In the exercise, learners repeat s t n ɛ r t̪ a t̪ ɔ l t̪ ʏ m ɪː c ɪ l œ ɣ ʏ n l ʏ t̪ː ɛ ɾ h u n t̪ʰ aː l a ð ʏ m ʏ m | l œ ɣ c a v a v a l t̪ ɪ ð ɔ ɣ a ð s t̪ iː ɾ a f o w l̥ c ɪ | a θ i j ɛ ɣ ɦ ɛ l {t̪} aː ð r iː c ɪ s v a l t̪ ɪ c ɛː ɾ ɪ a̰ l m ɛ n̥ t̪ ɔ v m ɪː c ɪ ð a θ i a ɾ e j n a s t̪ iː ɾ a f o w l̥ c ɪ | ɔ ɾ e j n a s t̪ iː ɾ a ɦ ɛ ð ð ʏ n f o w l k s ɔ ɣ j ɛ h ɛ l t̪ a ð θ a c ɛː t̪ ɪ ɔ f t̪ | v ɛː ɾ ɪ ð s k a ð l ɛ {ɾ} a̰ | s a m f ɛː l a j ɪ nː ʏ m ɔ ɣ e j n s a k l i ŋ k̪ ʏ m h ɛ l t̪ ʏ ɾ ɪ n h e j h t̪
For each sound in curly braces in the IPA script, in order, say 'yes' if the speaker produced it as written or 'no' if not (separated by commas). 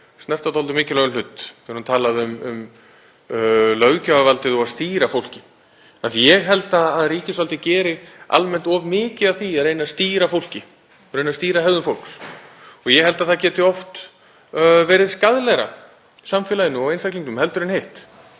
yes, yes